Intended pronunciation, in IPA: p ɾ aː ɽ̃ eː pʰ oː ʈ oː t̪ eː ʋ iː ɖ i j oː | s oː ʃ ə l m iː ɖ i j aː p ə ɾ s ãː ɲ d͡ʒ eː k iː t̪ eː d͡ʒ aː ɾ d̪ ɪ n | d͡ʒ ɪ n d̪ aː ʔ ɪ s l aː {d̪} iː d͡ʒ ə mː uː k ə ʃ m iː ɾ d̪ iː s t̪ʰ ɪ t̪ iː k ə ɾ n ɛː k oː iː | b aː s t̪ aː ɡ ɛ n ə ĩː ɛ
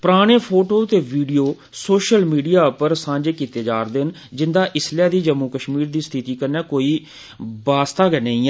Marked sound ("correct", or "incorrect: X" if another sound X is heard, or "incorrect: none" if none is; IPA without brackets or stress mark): correct